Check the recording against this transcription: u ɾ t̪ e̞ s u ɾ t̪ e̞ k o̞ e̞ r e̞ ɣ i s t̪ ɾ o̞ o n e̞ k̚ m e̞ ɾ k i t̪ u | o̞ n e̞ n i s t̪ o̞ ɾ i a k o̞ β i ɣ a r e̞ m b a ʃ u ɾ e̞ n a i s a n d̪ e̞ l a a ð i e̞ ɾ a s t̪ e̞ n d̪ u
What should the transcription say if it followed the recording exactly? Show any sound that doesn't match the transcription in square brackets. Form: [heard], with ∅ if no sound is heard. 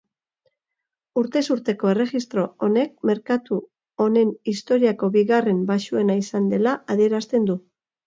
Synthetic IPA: u ɾ t̪ e̞ s u ɾ t̪ e̞ k o̞ e̞ r e̞ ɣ i s t̪ ɾ o̞ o n e̞ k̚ m e̞ ɾ k [a] t̪ u | o̞ n e̞ n i s t̪ o̞ ɾ i a k o̞ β i ɣ a r e̞ m b a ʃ u [∅] e̞ n a i s a n d̪ e̞ l a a ð i e̞ ɾ a s t̪ e̞ n d̪ u